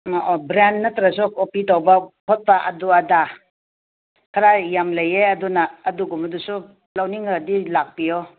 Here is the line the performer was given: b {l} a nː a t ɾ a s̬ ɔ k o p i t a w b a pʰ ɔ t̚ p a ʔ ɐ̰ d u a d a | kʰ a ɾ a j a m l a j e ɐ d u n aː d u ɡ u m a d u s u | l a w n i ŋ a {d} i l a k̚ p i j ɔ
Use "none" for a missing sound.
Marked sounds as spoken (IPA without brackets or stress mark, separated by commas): ɾ, d